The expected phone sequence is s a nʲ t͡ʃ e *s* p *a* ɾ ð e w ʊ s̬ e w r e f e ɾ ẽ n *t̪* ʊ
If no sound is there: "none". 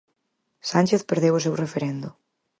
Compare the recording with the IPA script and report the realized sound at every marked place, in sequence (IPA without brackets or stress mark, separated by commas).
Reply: θ, e, d̪